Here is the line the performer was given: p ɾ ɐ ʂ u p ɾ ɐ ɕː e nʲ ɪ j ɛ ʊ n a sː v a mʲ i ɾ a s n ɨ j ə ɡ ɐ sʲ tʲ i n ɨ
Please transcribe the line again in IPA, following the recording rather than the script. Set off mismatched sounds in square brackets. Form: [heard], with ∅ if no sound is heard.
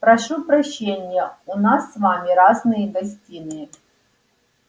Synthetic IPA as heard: p ɾ ɐ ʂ u p ɾ ɐ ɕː e nʲ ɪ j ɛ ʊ n a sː v a mʲ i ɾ a [z] n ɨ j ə ɡ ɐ sʲ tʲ i n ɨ